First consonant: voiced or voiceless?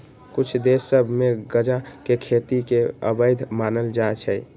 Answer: voiceless